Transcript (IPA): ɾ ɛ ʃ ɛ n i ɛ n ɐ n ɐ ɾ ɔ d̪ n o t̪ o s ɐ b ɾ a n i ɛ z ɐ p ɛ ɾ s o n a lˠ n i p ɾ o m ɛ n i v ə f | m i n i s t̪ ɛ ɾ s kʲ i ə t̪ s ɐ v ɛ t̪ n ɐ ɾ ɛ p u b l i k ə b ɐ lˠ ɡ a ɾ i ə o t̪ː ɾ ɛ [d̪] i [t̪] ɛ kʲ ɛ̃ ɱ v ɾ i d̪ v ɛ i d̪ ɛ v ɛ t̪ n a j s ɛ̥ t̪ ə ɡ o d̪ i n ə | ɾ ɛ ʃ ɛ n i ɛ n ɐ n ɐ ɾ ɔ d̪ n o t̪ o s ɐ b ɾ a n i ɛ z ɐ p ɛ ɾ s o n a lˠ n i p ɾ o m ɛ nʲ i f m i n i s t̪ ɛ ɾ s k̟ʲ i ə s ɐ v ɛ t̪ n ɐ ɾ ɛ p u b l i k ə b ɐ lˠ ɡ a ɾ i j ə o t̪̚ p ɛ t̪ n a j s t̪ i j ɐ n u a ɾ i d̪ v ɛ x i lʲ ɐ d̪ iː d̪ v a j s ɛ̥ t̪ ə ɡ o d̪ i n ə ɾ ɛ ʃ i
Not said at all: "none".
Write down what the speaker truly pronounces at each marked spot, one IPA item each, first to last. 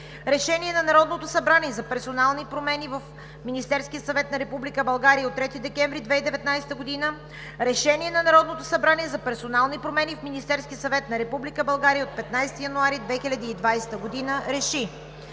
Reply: t̪, d̪

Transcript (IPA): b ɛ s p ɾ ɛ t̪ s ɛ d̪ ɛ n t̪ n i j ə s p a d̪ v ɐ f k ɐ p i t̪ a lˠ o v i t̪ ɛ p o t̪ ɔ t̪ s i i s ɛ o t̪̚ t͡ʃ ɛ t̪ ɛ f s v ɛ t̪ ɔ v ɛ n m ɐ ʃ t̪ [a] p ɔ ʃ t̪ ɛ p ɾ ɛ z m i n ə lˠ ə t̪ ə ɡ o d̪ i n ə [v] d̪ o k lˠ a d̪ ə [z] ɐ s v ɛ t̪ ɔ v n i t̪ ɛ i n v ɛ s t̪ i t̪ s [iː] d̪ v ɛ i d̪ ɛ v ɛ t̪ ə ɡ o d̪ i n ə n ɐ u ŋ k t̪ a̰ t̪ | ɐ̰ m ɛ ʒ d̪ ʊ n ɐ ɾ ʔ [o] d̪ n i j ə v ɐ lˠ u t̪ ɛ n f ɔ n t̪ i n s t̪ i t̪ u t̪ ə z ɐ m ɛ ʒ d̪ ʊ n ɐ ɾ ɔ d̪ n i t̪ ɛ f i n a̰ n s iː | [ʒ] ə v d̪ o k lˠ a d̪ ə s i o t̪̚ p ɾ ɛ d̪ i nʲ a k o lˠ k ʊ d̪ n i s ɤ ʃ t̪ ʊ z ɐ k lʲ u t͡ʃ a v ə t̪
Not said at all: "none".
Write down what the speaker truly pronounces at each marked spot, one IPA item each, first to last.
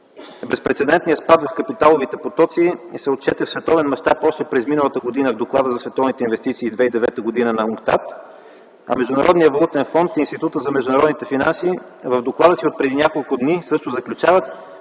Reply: a, v, z, iː, ɔ, v

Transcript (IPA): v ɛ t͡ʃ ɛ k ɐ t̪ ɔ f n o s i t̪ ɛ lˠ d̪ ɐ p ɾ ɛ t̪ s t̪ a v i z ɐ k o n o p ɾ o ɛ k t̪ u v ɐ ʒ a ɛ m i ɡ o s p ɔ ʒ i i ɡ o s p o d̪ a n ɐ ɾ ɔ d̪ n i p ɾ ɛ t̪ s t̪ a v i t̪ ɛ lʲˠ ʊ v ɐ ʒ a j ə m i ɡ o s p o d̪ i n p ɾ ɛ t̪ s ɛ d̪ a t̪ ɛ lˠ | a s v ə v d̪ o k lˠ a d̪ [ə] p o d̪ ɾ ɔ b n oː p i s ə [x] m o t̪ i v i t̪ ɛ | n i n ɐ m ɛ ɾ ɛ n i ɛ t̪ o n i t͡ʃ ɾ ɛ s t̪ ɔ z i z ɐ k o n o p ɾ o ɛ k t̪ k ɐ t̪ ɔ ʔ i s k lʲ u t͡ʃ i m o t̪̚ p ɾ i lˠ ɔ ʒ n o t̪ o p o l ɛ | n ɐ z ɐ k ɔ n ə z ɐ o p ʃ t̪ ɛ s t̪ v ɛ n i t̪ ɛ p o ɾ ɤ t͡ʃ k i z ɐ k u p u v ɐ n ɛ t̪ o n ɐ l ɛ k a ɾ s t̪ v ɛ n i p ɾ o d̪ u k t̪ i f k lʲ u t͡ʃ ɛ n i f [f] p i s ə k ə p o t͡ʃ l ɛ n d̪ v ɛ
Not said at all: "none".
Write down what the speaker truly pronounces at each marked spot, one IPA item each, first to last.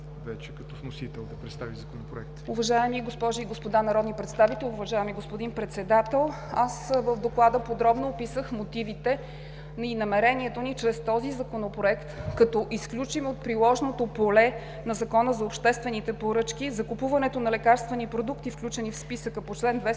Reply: ə, x, s

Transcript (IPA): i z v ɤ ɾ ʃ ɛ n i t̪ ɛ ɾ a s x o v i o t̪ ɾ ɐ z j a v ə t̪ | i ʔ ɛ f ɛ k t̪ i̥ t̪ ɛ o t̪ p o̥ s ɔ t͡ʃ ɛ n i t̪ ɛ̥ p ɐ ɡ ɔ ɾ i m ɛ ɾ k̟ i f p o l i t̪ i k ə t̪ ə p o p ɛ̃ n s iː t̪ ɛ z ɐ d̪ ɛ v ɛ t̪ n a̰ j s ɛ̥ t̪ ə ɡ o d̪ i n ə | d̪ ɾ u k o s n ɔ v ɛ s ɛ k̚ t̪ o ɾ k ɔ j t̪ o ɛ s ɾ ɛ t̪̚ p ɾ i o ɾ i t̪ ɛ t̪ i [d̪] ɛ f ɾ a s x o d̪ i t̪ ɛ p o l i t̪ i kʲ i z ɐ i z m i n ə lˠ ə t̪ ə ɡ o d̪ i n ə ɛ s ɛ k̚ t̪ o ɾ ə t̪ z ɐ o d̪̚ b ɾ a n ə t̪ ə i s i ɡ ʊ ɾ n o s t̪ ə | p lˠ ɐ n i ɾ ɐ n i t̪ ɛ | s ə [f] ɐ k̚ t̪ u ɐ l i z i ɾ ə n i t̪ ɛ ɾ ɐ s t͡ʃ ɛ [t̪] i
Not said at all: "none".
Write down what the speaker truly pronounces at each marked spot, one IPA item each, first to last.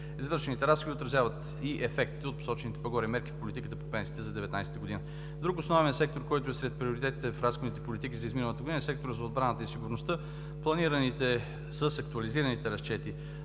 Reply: t̪, s, t̪

